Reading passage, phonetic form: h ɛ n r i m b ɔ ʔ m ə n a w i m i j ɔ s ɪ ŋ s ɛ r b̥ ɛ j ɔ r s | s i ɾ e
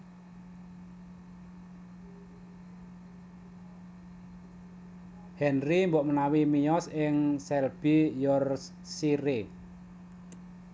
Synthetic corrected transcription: h ɛ n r i m b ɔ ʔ m ə n a w i m i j ɔ s ɪ ŋ s ɛ l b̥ i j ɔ r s | s i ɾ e

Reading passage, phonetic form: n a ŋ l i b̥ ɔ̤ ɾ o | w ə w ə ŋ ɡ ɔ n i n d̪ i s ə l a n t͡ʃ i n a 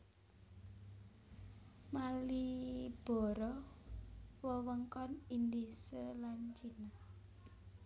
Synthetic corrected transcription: m a l i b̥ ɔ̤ ɾ ɔ | w ə w ə ŋ k ɔ n i n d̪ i s ə l a n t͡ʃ i n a

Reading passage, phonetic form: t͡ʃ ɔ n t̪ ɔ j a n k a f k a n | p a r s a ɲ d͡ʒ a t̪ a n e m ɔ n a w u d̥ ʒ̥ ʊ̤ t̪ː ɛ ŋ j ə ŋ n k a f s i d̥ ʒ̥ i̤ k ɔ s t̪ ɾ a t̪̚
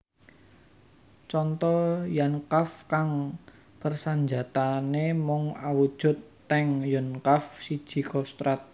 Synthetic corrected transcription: t͡ʃ ɔ n t̪ ɔ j a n k a f k a ŋ | p ə r s a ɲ d͡ʒ a t̪ a n e m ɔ ŋ a w u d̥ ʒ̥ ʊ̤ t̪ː ɛ ŋ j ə n k a f s i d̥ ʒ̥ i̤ k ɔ s t̪ ɾ a t̪̚

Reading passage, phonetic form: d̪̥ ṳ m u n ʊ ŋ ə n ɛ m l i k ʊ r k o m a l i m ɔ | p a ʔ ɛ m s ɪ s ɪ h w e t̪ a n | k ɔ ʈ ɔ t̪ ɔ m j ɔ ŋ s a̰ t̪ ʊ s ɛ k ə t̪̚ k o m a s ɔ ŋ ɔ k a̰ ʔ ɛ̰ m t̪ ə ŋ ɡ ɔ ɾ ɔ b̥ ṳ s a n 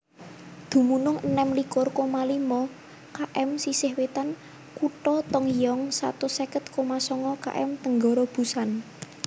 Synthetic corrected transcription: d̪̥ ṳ m u n ʊ ŋ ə n ɛ m l i k ʊ r k o m a l i m ɔ | k a ʔ ɛ m s i s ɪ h w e t̪ a n | k u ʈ ɔ t̪ ɔ ŋ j ɔ ŋ s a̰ t̪ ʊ s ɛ k ə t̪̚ k o m a s ɔ ŋ ɔ k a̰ ʔ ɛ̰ m t̪ ə ŋ ɡ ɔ ɾ ɔ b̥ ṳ s a n

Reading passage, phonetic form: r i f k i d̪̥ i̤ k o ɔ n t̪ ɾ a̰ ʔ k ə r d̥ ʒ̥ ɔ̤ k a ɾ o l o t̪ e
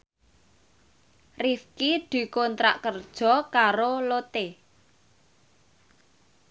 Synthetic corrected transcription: r i f k i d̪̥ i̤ k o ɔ n t̪ ɾ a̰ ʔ k ə r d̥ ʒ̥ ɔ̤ k a ɾ o l o t̪ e

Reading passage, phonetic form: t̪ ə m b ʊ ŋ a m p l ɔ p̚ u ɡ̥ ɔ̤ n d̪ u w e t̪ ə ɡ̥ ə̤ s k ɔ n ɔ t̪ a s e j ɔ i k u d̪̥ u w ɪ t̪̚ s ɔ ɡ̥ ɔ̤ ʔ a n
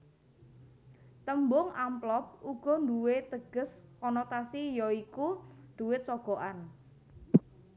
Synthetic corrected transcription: t̪ ə m b ʊ ŋ a m p l ɔ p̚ u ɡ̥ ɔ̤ n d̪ u w e t̪ ə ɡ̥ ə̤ s k ɔ n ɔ t̪ a s i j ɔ i k u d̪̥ u w ɪ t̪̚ s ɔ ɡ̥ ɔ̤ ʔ a n

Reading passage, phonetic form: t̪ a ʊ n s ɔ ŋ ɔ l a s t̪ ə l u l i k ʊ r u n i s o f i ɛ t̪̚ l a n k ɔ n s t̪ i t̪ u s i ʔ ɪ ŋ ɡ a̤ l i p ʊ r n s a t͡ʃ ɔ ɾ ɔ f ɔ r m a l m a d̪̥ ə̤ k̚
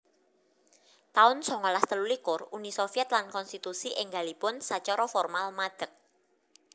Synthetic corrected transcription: t̪ a ʊ n s ɔ ŋ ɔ l a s t̪ ə l u l i k ʊ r u n i s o f i ɛ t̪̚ l a n k ɔ n s t̪ i t̪ u s i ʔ ɪ ŋ ɡ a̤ l i p ʊ n s a t͡ʃ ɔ ɾ ɔ f ɔ r m a l m a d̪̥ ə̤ k̚

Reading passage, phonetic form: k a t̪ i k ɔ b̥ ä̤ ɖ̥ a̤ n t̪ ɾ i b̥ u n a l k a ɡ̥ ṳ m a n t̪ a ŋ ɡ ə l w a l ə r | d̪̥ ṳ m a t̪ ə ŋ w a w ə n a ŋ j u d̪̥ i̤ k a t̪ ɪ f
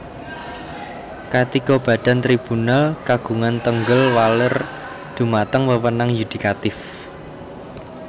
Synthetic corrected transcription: k a t̪ i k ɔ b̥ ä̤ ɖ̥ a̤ n t̪ ɾ i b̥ u n a l k a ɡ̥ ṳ ŋ a n t̪ ə ŋ ɡ ə l w a l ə r | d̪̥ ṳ m a t̪ ə ŋ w ə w ə n a ŋ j u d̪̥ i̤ k a t̪ ɪ f

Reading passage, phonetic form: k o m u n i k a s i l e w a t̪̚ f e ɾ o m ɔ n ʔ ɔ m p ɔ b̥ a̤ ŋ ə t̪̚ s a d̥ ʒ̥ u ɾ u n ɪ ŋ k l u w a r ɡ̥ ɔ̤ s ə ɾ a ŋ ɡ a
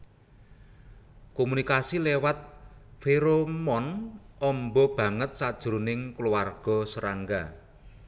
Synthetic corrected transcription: k o m u n i k a s i l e w a t̪̚ f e ɾ o m ɔ n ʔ ɔ m b ɔ b̥ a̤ ŋ ə t̪̚ s a d̥ ʒ̥ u ɾ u n ɪ ŋ k l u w a r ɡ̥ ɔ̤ s ə ɾ a ŋ ɡ a

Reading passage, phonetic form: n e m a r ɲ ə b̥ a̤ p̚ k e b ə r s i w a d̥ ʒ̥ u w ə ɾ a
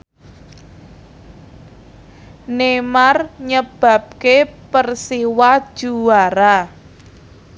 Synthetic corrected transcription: n e m a r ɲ ə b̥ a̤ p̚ k e p ə r s i w a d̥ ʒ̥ u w a ɾ a

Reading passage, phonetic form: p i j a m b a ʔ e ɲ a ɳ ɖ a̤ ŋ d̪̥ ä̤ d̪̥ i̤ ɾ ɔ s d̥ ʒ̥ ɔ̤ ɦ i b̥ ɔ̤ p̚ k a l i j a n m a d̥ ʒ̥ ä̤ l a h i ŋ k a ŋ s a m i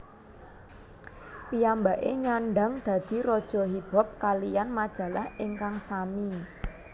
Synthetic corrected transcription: p i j a m b a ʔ e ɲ a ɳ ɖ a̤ ŋ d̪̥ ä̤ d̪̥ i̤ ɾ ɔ d̥ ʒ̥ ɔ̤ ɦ i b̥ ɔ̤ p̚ k a l i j a n m a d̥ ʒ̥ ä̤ l a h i ŋ k a ŋ s a m i

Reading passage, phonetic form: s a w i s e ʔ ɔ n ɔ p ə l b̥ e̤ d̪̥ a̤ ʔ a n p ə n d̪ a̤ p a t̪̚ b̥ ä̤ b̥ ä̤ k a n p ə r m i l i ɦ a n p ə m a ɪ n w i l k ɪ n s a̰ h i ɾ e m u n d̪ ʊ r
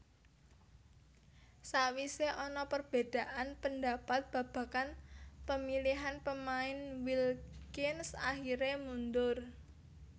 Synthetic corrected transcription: s a w i s e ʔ ɔ n ɔ p ə r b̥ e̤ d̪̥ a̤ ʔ a n p ə n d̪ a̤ p a t̪̚ b̥ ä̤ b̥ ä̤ k a n p ə m i l i ɦ a n p ə m a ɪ n w i l k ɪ n s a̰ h i ɾ e m u n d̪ ʊ r

